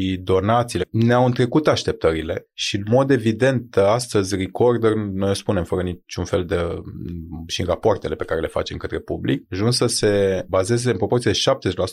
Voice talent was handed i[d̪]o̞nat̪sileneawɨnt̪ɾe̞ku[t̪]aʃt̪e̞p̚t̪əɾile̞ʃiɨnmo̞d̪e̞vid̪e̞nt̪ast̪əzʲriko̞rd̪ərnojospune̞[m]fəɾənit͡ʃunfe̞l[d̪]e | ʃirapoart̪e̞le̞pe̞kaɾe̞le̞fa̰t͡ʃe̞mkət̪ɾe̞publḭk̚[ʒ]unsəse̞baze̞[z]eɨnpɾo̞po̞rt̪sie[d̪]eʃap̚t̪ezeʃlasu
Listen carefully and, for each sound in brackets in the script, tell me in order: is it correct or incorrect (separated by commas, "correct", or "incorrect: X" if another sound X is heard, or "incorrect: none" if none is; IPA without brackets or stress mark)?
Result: correct, correct, correct, correct, correct, correct, correct